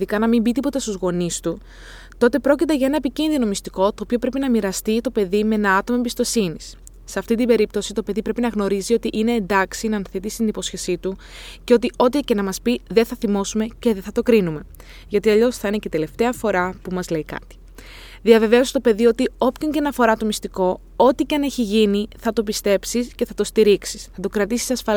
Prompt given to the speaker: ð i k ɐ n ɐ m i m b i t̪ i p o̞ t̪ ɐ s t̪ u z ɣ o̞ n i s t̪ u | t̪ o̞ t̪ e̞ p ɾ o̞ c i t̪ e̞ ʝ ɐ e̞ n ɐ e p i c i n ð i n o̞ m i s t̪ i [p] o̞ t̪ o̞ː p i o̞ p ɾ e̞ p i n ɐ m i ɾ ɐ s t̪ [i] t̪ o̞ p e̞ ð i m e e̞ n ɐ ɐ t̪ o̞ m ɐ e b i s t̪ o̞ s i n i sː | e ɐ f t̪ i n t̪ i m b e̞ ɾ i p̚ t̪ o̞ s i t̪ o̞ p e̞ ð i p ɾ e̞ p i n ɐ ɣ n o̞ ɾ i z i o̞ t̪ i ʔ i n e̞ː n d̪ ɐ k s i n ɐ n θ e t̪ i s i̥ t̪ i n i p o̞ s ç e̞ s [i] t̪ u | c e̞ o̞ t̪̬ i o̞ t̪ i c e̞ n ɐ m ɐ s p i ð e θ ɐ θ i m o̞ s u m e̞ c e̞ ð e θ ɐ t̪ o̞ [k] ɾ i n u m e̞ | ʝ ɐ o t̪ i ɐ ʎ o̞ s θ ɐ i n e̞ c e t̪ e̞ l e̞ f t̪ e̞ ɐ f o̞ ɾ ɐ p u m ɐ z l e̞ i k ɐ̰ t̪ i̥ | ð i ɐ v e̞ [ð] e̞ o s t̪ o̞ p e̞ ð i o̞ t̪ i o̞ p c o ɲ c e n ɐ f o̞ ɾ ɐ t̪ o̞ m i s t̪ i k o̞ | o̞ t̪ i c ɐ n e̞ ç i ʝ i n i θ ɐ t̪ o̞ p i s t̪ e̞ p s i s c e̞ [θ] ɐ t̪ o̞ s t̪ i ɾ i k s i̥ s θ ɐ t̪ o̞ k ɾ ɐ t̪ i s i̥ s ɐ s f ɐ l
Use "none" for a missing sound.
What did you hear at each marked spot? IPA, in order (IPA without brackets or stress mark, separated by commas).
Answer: k, i, i, k, v, θ